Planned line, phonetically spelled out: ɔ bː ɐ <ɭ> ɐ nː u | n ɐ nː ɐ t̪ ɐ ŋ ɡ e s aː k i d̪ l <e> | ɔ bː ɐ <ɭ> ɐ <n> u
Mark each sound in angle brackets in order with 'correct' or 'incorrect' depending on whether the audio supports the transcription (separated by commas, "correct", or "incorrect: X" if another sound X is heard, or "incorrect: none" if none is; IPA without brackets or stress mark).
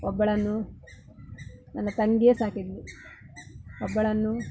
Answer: correct, incorrect: i, correct, incorrect: nː